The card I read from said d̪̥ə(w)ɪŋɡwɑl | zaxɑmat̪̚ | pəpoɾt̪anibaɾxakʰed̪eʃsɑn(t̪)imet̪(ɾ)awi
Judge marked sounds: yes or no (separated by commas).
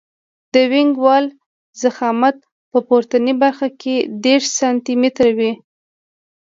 yes, yes, yes